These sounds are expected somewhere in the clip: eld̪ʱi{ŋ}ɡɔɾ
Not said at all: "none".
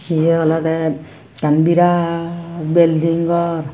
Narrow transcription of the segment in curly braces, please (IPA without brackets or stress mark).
ŋ